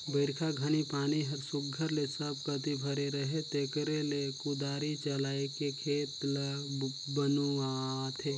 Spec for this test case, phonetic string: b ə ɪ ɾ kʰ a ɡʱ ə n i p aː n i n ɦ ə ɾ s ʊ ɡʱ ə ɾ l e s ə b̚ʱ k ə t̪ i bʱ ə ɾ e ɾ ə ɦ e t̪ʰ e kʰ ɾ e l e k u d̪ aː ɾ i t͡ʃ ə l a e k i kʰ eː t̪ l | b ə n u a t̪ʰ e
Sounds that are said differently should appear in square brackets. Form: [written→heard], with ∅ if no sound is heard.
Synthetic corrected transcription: b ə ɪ ɾ kʰ a ɡʱ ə n i p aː n i [n→∅] ɦ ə ɾ s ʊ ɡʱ ə ɾ l e s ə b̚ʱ k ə t̪ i bʱ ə ɾ e ɾ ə ɦ e [t̪ʰ→t̪] e [kʰ→k] ɾ e l e k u d̪ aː ɾ i t͡ʃ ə l a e k [i→e] kʰ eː t̪ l | b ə n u a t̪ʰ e

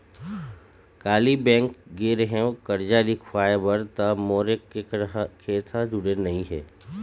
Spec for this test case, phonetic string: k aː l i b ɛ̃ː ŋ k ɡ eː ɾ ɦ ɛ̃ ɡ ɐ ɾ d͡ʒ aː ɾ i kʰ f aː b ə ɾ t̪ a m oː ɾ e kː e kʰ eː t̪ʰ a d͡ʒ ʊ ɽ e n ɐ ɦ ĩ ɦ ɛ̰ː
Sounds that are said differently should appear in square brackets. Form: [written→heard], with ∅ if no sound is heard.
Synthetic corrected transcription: k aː l i b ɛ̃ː ŋ k ɡ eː ɾ ɦ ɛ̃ [ɡ→k] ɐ ɾ d͡ʒ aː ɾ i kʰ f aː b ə ɾ t̪ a m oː ɾ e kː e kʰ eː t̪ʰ a d͡ʒ ʊ ɽ e n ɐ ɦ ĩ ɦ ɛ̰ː

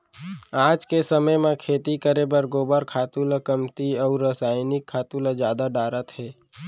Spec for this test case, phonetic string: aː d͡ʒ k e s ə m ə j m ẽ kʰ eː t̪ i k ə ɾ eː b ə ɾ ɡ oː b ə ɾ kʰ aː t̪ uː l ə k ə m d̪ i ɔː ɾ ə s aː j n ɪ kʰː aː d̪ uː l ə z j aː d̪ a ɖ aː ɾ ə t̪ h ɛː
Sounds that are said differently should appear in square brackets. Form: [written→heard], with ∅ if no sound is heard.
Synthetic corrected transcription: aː d͡ʒ k e s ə m ə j m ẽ kʰ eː t̪ i k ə ɾ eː b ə ɾ ɡ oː b ə ɾ kʰ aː t̪ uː l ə k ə m [d̪→t̪] i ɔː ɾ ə s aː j n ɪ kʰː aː [d̪→t̪] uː l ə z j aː d̪ a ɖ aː ɾ ə t̪ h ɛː

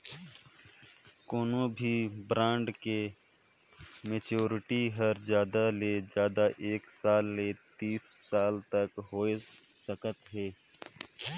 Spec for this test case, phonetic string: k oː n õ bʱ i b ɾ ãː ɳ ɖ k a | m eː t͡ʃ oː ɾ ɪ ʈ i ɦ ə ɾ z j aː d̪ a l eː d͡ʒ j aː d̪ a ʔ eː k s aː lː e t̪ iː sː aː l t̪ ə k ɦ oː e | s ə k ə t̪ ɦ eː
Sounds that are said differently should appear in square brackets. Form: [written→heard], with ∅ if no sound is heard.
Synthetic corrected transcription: k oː n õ bʱ i b ɾ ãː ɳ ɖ k [a→e] | m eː t͡ʃ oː ɾ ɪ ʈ i ɦ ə ɾ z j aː d̪ a l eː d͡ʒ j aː d̪ a ʔ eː k s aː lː e t̪ iː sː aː l t̪ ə k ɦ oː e | s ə k ə t̪ ɦ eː

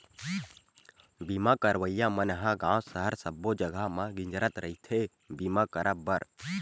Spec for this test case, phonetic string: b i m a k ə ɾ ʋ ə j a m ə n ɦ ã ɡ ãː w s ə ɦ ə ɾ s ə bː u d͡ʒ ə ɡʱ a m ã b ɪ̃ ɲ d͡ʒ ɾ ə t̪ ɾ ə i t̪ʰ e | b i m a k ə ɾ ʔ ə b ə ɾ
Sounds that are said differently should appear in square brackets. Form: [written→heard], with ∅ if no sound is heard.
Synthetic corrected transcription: b i m a k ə ɾ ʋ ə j a m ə n ɦ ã ɡ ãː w s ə ɦ ə ɾ s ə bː [u→o] d͡ʒ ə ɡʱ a m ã [b→ɡ] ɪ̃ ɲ d͡ʒ ɾ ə t̪ ɾ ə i t̪ʰ e | b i m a k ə ɾ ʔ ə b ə ɾ

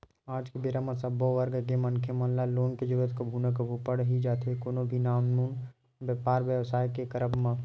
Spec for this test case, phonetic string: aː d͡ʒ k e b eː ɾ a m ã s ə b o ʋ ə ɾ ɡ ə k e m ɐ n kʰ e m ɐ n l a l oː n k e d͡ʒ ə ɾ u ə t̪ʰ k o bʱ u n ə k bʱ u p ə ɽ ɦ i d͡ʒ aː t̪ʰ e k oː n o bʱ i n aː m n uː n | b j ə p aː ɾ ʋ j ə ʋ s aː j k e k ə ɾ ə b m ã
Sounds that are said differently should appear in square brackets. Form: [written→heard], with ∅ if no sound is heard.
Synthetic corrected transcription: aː d͡ʒ k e b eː ɾ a m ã s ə b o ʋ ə ɾ ɡ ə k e m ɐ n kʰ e m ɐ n l a l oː n k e d͡ʒ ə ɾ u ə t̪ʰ k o bʱ u n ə k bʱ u p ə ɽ ɦ i d͡ʒ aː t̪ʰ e k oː n o bʱ i n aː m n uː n | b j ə p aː ɾ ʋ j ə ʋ s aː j k e k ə ɾ ə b m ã

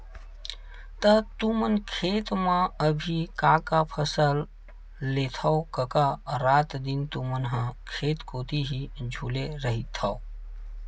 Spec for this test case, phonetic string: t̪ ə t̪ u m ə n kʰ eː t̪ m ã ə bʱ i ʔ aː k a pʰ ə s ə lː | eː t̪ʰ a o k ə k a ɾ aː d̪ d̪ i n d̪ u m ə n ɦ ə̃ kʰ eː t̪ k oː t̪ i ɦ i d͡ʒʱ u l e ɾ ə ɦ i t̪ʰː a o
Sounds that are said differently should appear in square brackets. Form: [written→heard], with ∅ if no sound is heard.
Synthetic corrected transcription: t̪ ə t̪ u m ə n kʰ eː t̪ m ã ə bʱ i [ʔ→k] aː k a pʰ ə s ə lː | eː t̪ʰ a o k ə k a ɾ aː [d̪→t̪] d̪ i n [d̪→t̪] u m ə n ɦ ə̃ kʰ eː t̪ k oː t̪ i ɦ i d͡ʒʱ u l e ɾ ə ɦ i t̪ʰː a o

